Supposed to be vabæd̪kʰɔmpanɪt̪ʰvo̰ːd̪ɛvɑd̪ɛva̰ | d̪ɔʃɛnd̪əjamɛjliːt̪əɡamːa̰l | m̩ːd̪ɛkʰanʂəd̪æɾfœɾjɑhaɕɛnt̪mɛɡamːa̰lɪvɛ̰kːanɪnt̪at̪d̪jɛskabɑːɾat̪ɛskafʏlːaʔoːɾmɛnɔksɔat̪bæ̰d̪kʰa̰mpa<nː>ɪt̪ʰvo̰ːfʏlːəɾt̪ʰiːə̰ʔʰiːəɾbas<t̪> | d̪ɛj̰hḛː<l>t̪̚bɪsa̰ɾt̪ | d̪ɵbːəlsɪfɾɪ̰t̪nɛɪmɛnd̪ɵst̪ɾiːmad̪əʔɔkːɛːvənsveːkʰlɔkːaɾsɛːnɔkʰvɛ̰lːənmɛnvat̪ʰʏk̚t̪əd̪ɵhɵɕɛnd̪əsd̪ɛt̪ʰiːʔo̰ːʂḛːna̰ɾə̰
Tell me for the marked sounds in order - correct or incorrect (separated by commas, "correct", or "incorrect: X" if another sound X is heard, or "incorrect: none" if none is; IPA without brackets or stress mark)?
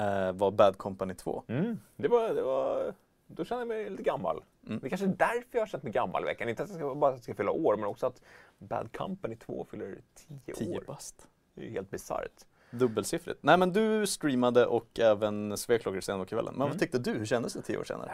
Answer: incorrect: n, correct, correct